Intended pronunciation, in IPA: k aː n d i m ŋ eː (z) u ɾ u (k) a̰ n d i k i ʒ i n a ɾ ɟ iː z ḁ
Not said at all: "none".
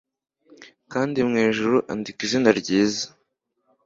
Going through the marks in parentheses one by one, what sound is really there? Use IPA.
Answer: ʒ, ʔ

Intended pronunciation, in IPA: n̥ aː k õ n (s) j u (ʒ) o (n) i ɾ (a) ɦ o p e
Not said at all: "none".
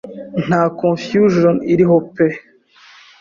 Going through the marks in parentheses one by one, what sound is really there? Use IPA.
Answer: f, ʒ, n, i

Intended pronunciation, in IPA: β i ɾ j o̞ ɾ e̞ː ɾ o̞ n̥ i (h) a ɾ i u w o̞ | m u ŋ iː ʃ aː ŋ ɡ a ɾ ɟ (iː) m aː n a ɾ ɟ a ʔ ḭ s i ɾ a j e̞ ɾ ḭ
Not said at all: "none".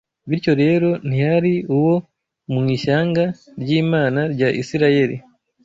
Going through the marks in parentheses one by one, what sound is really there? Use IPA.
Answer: h, iː

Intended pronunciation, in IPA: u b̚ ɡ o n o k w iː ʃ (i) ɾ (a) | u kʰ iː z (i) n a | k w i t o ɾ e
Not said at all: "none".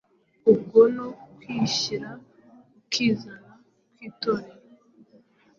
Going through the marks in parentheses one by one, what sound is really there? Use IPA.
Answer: i, a, a

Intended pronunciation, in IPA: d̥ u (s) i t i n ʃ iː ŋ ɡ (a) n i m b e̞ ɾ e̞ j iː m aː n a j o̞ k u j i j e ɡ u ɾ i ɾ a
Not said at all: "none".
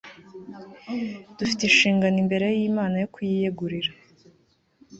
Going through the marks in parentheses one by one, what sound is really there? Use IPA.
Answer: f, a

